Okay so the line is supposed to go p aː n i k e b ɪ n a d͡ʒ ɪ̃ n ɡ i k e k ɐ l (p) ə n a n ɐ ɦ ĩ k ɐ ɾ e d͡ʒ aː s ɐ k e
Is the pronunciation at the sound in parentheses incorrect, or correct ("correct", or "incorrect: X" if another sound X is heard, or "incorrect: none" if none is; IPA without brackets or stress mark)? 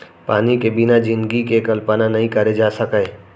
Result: correct